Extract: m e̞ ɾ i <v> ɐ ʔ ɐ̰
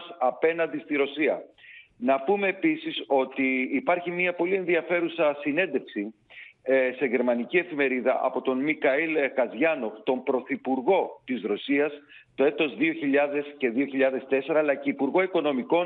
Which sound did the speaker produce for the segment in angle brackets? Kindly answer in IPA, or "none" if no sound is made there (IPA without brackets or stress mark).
ð